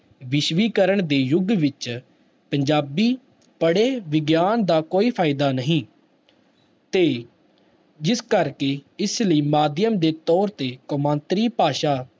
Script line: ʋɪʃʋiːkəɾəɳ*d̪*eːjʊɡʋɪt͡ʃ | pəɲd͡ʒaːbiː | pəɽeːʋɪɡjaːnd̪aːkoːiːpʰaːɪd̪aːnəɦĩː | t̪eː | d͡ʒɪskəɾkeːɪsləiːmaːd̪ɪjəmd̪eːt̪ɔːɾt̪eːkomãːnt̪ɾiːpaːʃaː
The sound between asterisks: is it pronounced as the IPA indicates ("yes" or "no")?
yes